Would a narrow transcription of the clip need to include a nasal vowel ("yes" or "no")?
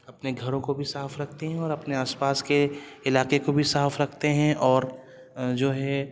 yes